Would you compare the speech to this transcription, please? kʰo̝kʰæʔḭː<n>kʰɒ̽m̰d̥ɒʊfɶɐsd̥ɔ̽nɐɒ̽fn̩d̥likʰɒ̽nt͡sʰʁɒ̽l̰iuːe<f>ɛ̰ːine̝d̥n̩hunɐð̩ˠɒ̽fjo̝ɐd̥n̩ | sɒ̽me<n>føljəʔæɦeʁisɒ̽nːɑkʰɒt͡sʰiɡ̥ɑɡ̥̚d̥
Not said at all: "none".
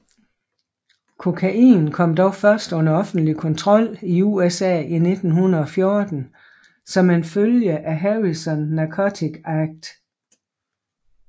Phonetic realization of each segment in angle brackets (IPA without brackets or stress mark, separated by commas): n, s, n